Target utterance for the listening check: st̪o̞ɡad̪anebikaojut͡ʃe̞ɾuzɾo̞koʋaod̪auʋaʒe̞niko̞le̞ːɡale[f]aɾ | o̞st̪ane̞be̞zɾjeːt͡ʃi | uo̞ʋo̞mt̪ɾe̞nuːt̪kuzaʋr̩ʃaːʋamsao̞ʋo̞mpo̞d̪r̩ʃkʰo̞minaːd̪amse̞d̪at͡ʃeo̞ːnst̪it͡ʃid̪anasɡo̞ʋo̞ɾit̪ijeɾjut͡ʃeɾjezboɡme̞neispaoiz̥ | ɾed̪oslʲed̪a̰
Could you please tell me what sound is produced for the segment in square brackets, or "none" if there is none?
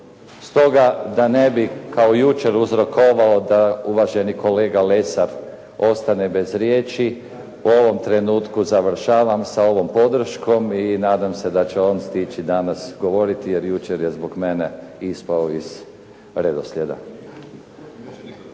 s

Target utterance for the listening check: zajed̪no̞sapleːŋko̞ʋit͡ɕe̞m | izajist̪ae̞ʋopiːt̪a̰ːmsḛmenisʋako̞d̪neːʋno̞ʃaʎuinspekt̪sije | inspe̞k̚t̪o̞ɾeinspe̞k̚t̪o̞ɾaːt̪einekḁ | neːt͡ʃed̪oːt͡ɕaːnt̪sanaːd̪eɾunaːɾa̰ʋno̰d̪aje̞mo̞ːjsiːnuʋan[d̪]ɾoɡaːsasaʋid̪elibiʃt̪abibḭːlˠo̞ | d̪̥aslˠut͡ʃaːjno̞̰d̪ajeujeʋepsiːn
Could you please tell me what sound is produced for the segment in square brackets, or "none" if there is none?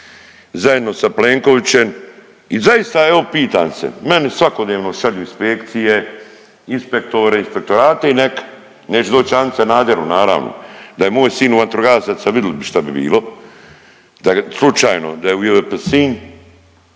t̪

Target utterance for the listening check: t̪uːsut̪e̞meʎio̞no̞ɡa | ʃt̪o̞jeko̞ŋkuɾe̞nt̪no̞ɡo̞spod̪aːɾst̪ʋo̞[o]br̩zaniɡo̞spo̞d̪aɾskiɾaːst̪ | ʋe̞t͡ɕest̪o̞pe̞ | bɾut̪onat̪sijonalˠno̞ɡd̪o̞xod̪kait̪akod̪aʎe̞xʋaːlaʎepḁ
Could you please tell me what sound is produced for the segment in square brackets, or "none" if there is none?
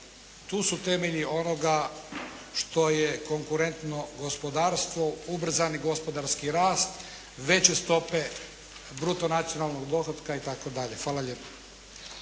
u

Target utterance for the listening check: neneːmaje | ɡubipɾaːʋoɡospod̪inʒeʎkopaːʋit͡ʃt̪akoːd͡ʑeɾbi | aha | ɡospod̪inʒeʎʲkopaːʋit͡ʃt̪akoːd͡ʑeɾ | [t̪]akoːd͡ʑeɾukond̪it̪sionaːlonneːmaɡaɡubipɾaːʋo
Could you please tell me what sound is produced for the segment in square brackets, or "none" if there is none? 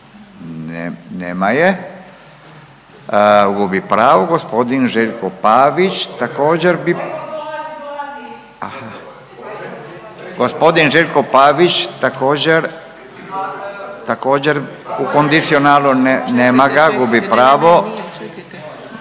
t̪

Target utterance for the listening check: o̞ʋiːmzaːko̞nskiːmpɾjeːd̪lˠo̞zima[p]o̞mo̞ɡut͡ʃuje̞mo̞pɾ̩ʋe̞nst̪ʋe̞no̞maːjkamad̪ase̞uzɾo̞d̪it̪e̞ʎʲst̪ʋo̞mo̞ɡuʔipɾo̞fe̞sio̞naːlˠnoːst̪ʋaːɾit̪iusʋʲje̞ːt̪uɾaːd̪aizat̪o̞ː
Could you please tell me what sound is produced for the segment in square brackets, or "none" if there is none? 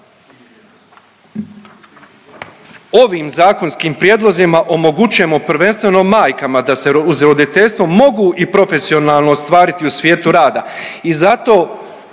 ʔ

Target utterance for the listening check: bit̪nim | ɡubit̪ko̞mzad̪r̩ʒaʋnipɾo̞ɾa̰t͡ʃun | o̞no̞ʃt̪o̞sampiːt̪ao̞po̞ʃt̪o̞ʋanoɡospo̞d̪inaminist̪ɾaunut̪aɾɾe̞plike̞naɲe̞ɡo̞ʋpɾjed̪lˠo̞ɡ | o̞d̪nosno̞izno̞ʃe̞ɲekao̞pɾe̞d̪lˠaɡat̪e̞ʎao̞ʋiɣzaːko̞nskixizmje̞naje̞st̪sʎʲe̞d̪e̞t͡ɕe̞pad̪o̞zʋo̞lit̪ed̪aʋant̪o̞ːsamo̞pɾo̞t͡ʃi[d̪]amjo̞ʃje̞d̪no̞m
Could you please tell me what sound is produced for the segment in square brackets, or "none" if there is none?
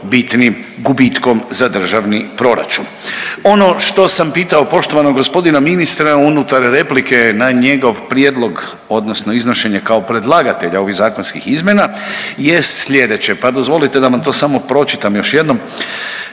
t̪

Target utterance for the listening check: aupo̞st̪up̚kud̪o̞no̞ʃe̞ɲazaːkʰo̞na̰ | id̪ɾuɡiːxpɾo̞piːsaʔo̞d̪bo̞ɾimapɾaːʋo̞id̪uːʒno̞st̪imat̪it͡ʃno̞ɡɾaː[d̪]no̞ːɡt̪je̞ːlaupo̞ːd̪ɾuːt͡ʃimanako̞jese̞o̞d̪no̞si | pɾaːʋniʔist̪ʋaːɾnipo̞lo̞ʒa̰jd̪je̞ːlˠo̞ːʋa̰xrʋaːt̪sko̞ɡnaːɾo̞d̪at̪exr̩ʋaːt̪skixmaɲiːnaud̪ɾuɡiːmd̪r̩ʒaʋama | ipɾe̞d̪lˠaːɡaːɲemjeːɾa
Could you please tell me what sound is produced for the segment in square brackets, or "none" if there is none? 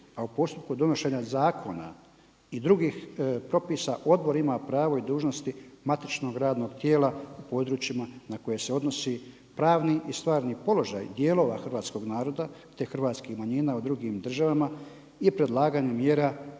d̪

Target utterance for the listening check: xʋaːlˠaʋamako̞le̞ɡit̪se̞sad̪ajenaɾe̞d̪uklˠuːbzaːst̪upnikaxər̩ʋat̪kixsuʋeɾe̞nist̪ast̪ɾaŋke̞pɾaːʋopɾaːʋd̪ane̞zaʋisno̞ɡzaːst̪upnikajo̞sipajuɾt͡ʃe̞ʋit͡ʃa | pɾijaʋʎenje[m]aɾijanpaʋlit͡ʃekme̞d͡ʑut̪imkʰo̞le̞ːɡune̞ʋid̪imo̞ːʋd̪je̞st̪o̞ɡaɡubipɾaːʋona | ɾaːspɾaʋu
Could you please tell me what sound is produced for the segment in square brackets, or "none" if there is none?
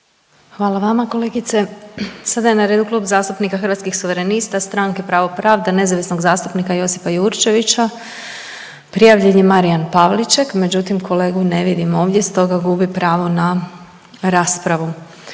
m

